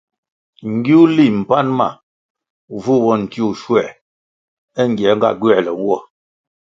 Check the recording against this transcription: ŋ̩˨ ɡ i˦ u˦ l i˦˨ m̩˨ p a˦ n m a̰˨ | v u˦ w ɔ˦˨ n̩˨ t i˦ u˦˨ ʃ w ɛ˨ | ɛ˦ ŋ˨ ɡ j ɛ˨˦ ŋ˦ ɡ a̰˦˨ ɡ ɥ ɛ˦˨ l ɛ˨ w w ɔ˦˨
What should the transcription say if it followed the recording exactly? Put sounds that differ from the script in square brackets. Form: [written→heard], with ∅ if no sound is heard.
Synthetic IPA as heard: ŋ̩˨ ɡ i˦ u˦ l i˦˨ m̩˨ p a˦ n m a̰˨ | v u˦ w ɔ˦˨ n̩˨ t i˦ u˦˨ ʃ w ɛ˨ | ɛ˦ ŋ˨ ɡ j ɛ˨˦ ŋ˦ ɡ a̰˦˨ ɡ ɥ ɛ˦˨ l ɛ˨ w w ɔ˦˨